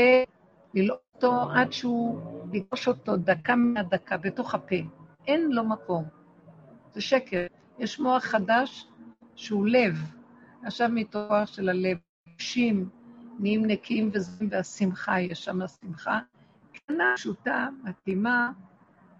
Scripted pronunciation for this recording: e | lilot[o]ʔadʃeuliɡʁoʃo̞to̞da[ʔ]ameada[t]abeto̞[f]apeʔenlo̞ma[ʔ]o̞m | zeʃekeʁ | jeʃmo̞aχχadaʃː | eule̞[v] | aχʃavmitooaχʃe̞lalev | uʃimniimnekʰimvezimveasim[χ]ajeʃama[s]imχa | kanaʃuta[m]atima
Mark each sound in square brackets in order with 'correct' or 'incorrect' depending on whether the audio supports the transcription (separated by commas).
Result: correct, incorrect, incorrect, incorrect, incorrect, correct, correct, correct, correct